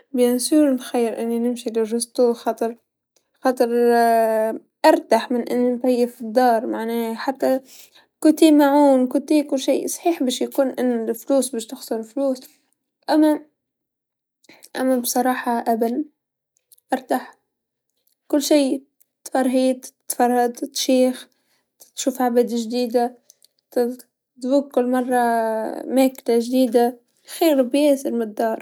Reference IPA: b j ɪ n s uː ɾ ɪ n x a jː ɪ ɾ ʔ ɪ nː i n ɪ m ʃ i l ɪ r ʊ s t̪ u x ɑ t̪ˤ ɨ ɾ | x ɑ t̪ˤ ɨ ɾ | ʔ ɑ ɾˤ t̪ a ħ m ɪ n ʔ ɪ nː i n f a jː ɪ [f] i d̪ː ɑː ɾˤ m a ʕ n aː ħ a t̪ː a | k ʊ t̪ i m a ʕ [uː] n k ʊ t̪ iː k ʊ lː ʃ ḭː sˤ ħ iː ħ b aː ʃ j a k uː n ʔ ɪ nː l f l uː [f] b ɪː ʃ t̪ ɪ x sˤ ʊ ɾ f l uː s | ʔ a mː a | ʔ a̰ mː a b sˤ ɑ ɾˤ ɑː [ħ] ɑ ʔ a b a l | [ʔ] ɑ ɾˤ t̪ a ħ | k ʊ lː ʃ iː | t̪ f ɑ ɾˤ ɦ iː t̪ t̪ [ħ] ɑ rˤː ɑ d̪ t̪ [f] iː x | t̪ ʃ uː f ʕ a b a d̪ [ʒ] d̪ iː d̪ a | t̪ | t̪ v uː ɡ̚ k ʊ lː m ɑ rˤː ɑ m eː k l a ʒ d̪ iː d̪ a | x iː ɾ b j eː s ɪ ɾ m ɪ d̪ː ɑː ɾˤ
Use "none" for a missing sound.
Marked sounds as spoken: f, uː, s, ħ, ʔ, f, ʃ, ʒ

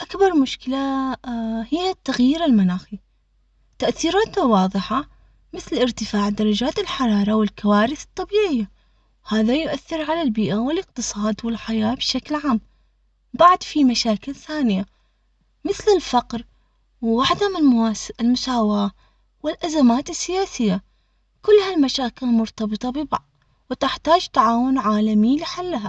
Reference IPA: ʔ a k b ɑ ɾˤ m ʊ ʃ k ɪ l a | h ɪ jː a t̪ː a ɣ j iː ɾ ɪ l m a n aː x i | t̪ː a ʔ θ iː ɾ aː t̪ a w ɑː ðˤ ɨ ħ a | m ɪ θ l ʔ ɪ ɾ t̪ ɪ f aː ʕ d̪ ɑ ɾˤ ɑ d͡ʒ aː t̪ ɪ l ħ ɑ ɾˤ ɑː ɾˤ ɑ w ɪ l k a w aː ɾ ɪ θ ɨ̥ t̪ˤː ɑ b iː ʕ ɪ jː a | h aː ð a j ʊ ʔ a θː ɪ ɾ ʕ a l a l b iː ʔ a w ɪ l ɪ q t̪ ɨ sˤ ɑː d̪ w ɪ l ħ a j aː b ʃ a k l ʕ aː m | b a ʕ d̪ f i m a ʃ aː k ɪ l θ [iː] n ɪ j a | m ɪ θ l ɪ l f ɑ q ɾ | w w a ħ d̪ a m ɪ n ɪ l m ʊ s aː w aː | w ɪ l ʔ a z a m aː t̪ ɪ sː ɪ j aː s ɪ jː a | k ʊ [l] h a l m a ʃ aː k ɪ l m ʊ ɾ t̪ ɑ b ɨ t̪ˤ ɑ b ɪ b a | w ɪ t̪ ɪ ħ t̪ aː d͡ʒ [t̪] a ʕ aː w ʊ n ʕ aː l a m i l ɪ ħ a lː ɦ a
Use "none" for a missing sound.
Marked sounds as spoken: aː, lː, t̪

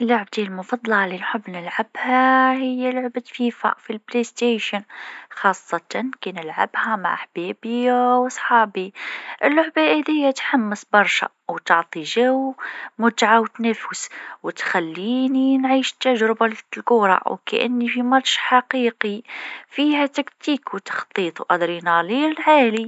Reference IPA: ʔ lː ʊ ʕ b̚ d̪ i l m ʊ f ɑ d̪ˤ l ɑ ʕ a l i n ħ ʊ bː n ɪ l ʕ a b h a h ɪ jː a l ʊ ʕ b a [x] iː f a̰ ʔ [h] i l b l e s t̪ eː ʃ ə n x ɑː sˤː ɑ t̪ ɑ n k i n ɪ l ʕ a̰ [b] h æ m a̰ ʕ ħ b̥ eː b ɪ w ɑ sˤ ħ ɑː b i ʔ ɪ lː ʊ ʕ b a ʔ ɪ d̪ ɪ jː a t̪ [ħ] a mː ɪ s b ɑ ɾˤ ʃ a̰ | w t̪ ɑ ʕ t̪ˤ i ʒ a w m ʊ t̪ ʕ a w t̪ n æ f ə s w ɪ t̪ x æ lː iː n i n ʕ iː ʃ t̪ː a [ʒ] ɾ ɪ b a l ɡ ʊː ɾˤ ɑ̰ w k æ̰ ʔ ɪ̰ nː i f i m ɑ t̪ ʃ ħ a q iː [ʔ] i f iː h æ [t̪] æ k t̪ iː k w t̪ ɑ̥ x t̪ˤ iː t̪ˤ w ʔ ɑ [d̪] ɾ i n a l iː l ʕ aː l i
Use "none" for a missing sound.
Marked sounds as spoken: f, f, b, ħ, ʒ, q, t̪, d̪

